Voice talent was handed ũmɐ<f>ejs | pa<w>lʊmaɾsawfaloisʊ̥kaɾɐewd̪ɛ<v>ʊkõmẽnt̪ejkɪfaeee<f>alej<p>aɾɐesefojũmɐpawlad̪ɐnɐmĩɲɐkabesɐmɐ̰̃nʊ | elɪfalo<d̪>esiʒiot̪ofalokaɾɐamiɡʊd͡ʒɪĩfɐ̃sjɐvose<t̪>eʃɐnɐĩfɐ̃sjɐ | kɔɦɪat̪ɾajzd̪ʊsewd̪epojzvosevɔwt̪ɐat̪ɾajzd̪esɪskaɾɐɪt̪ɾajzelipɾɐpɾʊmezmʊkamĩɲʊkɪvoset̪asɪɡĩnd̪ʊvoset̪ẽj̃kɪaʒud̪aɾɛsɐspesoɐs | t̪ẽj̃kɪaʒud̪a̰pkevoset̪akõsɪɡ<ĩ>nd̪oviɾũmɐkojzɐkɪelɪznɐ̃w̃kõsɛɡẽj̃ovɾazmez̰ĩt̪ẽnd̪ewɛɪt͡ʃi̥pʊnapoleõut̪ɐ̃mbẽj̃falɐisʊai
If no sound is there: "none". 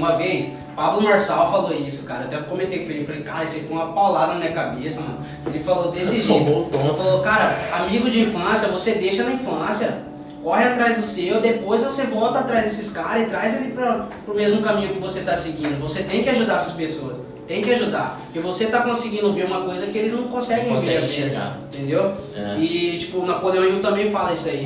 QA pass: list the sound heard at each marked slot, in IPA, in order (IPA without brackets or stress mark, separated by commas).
v, b, v, f, k, d̪, d̪, ĩ